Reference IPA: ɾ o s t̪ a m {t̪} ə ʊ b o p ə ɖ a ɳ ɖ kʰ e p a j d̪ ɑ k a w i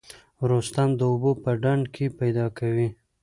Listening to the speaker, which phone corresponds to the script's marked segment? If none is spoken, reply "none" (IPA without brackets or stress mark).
d̪